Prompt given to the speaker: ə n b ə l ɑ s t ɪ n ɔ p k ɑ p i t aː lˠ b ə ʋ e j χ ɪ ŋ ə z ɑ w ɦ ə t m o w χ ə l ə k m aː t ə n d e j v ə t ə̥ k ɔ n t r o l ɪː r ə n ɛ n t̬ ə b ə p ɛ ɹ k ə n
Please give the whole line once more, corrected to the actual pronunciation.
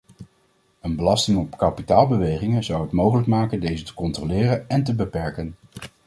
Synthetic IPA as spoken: ə n b ə l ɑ s t ɪ ŋ ɔ p k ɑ p i t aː lˠ b ə ʋ e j χ ɪ ŋ ə z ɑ w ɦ ə t m o w χ ə l ə k m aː k ə n d e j z ə t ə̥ k ɔ n t r o l ɪː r ə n ɛ n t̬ ə b ə p ɛ ɹ k ə n